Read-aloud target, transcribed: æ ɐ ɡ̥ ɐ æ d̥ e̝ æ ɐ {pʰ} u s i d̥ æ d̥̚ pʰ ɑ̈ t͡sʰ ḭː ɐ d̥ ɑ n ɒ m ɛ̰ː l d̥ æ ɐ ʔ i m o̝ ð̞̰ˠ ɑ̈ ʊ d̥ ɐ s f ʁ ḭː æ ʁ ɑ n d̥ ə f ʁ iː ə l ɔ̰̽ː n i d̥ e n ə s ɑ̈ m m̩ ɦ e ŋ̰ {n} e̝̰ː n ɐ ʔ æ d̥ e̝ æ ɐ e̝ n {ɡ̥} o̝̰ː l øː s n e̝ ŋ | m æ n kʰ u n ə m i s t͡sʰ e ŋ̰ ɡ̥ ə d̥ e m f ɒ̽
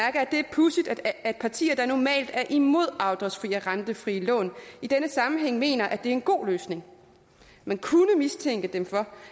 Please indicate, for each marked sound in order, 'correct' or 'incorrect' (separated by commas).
correct, incorrect, correct